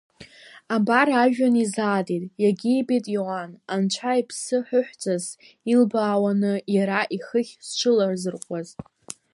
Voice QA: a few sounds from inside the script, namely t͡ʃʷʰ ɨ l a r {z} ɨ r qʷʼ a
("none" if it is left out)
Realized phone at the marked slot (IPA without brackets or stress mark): z